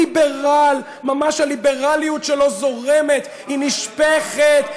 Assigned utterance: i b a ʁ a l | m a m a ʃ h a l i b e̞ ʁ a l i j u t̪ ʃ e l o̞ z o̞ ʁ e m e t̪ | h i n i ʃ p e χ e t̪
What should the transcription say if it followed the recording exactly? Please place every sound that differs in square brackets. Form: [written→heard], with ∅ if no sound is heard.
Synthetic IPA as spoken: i b [a→e] ʁ a l | m a m a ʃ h a l i b e̞ ʁ a l i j u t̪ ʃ e l o̞ z o̞ ʁ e m e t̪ | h i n i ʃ p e χ e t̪

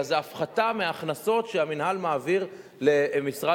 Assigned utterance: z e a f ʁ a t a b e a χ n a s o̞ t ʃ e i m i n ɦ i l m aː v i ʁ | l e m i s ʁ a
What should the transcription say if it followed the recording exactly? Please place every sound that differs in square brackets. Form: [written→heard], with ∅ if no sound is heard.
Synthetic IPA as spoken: z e a f [ʁ→χ] a t a [b→m] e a χ n a s o̞ t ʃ e [i→a] m i n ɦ [i→a] l m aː v i ʁ | l e m i s ʁ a

